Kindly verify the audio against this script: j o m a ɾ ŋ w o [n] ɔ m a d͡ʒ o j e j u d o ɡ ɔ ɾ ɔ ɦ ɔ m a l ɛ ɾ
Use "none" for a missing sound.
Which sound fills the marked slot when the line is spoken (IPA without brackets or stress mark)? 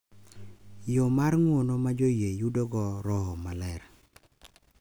n